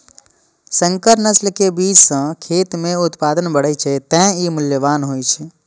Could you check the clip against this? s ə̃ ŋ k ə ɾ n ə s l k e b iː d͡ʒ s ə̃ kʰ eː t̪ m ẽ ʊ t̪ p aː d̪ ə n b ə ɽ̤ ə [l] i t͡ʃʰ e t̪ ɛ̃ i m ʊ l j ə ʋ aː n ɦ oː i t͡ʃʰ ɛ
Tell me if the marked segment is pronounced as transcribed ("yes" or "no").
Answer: no